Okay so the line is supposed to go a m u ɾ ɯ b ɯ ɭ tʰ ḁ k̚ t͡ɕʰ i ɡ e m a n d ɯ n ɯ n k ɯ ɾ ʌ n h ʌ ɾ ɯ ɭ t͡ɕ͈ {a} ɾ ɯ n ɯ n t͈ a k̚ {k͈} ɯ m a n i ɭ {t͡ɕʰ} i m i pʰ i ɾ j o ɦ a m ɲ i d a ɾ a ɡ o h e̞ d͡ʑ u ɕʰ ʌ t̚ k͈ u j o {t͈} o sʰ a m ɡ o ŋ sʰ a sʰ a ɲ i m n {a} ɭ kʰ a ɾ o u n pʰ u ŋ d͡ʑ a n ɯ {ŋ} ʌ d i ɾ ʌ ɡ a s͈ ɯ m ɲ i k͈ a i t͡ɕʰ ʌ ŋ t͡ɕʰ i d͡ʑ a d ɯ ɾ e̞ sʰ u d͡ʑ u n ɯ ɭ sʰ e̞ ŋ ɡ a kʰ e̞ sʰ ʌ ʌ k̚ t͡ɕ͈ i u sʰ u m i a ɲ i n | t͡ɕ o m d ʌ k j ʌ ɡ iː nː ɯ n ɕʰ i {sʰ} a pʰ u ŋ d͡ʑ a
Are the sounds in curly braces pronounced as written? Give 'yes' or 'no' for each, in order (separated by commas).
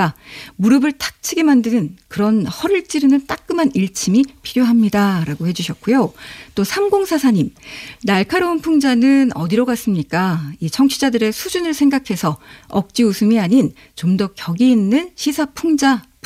no, yes, yes, yes, yes, no, yes